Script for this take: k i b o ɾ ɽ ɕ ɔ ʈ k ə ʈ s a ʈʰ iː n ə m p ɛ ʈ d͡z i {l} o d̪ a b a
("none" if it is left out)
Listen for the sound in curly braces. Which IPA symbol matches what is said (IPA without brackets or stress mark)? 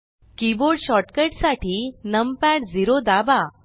ɾ